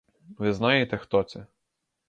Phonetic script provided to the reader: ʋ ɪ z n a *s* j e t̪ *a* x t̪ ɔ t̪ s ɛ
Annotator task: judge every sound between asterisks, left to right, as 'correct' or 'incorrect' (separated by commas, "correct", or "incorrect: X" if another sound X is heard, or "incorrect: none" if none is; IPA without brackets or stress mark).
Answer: incorrect: none, incorrect: ɛ